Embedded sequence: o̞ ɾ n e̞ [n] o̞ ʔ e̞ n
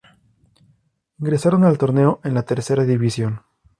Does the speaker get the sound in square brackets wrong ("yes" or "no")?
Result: yes